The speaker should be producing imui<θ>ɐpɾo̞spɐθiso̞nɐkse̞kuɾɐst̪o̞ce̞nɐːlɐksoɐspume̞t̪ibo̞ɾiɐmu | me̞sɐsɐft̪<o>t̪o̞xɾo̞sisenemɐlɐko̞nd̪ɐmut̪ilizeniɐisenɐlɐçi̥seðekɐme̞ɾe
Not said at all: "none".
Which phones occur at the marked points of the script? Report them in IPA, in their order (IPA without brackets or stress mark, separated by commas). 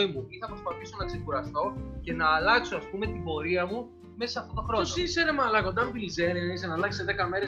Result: θ, o